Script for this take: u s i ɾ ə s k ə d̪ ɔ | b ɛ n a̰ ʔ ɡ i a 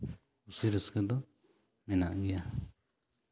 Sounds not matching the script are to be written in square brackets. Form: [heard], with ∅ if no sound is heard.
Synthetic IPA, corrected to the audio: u s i ɾ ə s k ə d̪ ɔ | [m] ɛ n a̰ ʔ ɡ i a